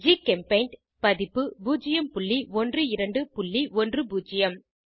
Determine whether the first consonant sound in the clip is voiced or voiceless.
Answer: voiced